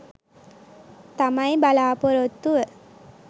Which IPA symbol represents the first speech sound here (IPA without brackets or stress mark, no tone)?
t̪